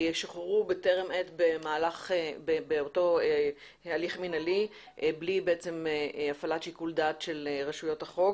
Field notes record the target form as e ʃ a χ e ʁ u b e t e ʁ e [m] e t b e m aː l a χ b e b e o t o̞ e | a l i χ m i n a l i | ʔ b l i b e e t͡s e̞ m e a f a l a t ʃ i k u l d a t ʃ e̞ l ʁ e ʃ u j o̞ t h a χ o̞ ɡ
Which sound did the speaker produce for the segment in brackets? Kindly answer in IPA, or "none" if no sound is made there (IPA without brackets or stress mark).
m